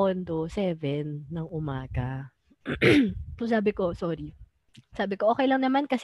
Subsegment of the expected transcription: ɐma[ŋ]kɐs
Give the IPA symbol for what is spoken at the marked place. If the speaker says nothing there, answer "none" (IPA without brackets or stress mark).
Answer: n